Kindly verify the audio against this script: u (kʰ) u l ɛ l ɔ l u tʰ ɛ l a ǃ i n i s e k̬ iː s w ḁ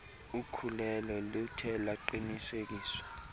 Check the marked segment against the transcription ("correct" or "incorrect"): correct